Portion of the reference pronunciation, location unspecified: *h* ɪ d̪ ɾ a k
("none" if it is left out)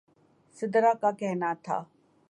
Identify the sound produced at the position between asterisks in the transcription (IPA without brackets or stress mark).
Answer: s